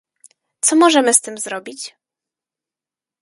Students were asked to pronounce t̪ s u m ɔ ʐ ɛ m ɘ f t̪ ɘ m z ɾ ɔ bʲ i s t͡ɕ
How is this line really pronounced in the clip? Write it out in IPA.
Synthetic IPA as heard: t̪ s ɔ m ɔ ʐ ɛ m ɘ s t̪ ɘ m z ɾ ɔ bʲ i t͡ɕ